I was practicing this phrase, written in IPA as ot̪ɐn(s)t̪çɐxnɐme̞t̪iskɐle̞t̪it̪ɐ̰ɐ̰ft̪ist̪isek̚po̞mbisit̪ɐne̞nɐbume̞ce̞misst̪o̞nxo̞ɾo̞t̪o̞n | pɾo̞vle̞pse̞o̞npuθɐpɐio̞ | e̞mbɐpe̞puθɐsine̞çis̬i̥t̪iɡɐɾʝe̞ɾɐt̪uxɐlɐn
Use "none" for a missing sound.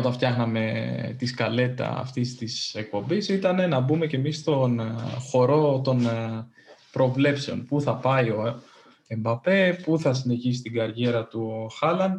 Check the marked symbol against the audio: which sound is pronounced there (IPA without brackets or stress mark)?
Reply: f